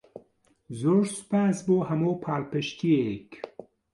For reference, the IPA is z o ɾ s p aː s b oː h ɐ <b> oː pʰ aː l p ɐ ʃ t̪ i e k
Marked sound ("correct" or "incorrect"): incorrect